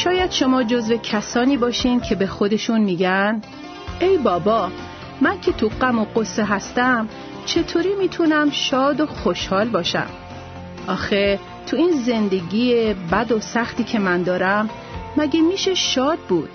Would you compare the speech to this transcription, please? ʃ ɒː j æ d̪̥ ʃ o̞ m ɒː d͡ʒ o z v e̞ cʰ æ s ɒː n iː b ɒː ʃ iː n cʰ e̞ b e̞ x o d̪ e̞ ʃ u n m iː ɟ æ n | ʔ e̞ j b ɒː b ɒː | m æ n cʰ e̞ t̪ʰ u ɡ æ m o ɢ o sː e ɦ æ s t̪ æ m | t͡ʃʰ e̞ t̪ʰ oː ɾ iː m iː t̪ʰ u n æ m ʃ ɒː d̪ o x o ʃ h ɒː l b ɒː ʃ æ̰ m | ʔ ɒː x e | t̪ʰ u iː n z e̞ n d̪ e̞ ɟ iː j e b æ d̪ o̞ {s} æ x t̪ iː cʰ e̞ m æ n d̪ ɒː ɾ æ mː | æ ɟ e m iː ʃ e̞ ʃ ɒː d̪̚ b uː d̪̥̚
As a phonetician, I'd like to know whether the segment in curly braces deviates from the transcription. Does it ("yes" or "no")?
no